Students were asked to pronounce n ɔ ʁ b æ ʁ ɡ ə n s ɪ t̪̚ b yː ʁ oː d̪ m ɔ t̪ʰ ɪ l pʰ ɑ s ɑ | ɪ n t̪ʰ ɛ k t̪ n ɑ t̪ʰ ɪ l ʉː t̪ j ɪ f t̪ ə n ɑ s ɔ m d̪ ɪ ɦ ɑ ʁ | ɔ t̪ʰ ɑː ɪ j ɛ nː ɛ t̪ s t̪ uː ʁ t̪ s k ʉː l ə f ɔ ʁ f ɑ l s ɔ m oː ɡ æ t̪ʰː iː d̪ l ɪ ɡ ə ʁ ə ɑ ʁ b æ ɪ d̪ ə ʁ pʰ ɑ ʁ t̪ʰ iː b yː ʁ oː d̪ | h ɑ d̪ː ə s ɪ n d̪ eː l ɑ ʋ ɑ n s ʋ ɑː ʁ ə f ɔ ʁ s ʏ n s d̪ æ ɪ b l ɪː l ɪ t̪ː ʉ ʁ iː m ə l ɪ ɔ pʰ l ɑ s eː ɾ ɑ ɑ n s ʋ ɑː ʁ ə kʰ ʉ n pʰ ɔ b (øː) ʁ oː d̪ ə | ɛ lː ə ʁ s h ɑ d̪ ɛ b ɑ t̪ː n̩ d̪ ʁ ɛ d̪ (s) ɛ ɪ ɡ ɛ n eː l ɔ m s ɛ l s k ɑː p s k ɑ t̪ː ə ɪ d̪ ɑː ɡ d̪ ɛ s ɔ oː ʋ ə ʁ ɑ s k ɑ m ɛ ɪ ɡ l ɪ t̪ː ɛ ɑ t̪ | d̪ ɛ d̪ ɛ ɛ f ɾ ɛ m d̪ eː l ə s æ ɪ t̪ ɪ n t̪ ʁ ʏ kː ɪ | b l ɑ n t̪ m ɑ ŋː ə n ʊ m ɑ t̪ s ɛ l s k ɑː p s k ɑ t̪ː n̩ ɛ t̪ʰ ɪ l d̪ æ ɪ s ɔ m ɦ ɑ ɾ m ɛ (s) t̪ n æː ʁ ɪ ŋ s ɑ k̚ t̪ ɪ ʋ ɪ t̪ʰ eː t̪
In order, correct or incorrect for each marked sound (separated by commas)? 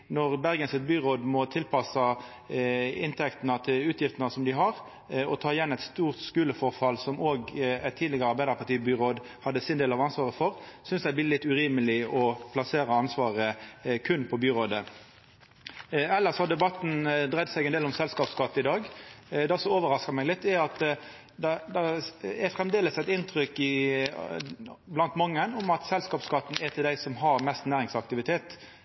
incorrect, correct, correct